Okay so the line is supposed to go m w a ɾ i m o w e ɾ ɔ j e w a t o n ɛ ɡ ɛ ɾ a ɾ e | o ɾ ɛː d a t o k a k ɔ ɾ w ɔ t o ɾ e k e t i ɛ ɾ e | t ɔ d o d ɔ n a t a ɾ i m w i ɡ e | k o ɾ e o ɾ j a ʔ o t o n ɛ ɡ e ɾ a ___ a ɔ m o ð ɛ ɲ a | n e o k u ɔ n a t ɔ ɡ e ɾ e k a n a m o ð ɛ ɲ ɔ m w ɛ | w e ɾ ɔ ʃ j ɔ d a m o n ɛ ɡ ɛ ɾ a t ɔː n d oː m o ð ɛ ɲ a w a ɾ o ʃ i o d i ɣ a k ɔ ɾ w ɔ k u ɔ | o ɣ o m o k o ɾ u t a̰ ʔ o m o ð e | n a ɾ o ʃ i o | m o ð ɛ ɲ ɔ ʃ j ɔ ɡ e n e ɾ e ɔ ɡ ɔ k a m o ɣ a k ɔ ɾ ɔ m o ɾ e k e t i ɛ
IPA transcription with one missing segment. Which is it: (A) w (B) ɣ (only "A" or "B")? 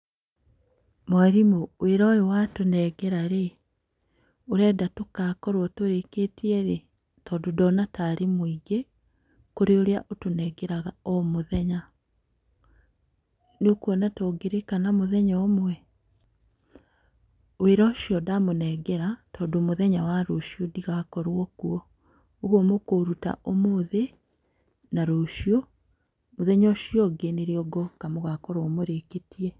B